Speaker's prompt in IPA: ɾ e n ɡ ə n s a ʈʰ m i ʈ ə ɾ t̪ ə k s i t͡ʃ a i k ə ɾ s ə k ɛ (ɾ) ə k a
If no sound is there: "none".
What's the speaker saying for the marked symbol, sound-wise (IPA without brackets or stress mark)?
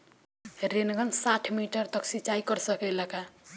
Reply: l